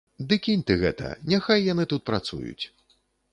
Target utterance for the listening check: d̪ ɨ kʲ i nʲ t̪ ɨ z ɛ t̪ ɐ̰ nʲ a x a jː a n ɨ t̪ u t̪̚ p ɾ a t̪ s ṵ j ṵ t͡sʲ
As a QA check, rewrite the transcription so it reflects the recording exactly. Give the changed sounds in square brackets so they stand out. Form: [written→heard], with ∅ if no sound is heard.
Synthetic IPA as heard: d̪ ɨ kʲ i nʲ t̪ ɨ [z→ɣ] ɛ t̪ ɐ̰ nʲ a x a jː a n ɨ t̪ u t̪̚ p ɾ a t̪ s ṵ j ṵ t͡sʲ